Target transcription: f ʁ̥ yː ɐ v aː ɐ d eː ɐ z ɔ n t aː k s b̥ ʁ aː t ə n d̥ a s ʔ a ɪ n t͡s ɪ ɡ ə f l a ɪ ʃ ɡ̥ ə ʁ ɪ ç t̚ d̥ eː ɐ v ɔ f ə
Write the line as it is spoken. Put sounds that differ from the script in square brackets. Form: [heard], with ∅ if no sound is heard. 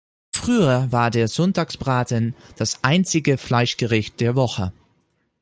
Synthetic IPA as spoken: f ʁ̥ yː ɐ v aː ɐ d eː ɐ z ɔ n t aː k s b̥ ʁ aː t ə n d̥ a s ʔ a ɪ n t͡s ɪ ɡ ə f l a ɪ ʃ ɡ̥ ə ʁ ɪ ç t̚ d̥ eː ɐ v ɔ [χ] ə